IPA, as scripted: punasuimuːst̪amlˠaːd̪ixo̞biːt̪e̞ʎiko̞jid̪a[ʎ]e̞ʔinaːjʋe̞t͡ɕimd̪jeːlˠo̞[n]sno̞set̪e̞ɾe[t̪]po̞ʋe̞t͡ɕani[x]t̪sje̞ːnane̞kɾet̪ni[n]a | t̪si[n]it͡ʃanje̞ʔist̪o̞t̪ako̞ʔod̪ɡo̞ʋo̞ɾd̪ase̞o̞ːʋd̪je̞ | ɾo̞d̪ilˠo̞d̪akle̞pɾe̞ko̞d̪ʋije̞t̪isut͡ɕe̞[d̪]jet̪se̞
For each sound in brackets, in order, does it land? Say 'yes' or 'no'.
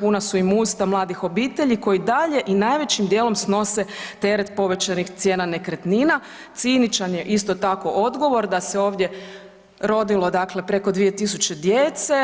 yes, no, yes, yes, yes, yes, yes

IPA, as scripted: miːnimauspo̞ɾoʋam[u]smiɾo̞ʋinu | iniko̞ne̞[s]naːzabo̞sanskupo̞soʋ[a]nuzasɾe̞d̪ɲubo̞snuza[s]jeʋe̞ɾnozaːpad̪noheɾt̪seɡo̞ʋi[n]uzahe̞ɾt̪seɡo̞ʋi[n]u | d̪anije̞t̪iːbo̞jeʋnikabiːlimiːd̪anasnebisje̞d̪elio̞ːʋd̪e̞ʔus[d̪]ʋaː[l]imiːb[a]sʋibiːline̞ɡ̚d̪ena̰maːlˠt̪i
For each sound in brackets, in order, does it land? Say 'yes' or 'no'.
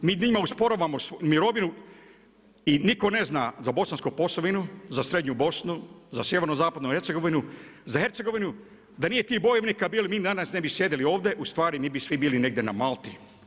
no, no, no, yes, yes, yes, no, no, no

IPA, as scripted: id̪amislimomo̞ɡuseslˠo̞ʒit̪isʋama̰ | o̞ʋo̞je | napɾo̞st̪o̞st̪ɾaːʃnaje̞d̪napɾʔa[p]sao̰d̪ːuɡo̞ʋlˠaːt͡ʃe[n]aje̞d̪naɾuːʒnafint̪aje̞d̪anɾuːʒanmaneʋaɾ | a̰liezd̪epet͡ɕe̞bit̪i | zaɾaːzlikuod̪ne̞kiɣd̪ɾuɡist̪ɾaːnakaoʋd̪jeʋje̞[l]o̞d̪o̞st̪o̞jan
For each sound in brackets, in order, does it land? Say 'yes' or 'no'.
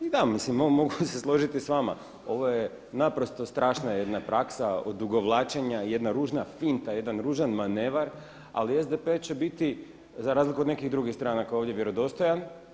no, no, no

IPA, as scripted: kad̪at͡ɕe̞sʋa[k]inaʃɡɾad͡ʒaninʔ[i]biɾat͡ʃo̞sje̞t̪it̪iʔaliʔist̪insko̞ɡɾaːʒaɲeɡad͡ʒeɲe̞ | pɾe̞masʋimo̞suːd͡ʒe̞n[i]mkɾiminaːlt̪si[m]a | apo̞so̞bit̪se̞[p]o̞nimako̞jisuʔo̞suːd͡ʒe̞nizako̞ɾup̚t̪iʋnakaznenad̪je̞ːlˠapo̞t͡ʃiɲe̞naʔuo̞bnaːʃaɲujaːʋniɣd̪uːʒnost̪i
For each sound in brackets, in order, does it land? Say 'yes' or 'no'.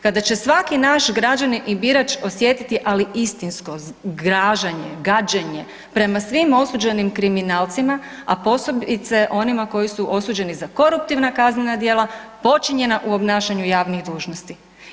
yes, yes, yes, yes, no

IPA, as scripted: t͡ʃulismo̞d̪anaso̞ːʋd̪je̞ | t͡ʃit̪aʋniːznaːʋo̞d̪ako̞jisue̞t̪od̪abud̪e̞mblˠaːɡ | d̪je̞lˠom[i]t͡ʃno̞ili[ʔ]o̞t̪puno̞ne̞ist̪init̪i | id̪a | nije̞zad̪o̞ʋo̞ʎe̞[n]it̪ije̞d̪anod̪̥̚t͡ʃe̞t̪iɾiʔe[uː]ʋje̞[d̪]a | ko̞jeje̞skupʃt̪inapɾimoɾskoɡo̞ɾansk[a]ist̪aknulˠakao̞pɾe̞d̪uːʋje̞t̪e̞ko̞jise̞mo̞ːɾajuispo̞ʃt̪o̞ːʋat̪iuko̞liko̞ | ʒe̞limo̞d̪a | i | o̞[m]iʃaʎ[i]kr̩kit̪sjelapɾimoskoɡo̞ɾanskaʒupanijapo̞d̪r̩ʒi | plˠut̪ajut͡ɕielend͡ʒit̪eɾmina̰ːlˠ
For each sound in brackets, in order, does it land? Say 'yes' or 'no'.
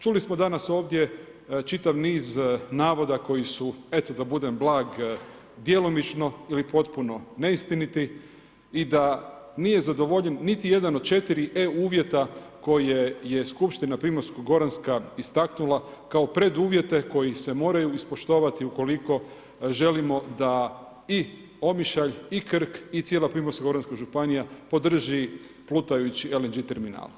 yes, no, no, yes, no, yes, yes, yes

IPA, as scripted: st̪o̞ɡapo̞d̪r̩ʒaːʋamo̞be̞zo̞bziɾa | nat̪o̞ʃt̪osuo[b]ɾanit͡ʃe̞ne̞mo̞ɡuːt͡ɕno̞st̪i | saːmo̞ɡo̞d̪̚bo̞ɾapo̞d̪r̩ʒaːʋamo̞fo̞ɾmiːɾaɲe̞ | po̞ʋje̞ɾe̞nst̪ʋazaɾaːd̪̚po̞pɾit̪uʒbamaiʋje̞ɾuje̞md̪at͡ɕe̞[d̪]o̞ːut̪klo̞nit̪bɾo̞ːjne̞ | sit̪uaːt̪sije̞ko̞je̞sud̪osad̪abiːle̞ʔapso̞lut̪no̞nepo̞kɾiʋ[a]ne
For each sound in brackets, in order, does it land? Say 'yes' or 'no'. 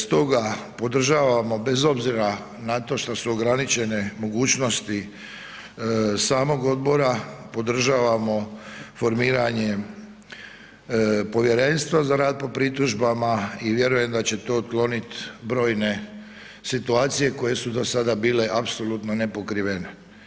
no, no, no

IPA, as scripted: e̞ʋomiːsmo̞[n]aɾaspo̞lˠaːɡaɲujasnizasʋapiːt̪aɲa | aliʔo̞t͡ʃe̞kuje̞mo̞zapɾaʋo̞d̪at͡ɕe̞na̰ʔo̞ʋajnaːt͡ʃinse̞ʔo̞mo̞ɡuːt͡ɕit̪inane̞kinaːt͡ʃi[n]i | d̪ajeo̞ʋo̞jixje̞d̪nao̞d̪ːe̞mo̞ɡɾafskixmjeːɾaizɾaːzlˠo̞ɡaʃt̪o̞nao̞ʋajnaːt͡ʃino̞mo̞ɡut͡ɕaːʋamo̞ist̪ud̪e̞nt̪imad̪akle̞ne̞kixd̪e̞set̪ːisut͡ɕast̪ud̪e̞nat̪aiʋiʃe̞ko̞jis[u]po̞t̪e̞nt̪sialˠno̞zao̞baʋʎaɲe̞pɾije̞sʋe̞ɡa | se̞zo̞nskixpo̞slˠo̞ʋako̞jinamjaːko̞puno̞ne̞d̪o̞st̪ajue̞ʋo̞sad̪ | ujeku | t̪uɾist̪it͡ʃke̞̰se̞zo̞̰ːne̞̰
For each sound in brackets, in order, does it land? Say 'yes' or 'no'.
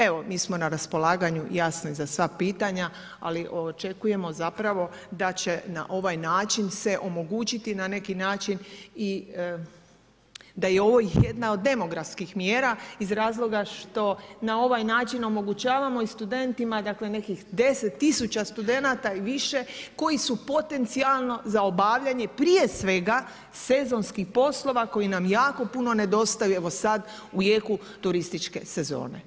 yes, yes, yes

